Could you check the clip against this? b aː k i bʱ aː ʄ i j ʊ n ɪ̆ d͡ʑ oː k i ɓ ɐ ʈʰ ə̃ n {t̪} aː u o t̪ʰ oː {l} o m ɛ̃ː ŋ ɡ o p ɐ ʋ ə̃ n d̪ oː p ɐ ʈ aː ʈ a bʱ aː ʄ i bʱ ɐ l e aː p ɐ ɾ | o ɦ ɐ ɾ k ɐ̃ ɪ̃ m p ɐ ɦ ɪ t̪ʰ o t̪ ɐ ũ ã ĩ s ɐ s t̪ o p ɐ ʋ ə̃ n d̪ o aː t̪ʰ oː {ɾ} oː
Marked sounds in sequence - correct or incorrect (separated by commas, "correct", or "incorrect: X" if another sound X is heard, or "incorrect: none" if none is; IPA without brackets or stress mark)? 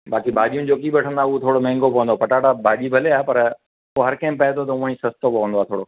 incorrect: d̪, incorrect: ɽ, incorrect: ɽ